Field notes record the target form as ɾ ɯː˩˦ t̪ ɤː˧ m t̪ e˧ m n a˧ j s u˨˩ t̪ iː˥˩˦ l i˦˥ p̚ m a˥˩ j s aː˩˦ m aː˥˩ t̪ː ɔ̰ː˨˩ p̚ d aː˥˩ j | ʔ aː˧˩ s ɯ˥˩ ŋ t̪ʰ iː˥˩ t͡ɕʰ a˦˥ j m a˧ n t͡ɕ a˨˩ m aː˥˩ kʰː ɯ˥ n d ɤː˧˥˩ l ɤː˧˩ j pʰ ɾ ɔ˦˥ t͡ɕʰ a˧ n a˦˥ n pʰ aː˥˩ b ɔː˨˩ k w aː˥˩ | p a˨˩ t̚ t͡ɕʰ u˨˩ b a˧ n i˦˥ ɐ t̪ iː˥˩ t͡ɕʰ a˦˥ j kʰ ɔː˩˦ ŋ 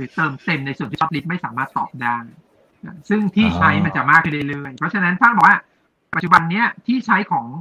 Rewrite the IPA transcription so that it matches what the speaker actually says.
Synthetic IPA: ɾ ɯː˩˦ t̪ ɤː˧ m t̪ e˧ m n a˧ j s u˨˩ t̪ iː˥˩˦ l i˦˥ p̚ m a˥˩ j s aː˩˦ m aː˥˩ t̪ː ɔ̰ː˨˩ p̚ d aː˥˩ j | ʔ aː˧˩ s ɯ˥˩ ŋ t̪ʰ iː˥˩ t͡ɕʰ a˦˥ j m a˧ n t͡ɕ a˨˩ m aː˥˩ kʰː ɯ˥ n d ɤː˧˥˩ l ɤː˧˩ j pʰ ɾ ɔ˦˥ t͡ɕʰ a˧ n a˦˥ n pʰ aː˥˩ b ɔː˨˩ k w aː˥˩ | p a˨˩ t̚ t͡ɕ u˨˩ b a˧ nː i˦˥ ɐ t̪ʰ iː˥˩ t͡ɕʰ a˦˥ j kʰ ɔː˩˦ ŋ